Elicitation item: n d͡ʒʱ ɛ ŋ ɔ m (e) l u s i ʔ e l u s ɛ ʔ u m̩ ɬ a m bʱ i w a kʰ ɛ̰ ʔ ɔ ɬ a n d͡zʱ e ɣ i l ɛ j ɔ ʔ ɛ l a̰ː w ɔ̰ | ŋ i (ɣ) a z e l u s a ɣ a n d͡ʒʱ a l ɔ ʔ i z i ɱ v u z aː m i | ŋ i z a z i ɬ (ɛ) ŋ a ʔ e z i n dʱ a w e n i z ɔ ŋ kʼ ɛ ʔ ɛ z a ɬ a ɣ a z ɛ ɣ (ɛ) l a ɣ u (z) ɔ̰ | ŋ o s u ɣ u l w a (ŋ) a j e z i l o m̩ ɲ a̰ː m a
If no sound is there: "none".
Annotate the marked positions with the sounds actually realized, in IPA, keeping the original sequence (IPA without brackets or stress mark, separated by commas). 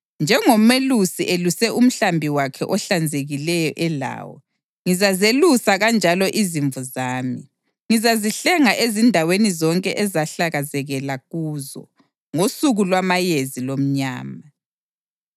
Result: e, z, ɛ, ɛ, z, m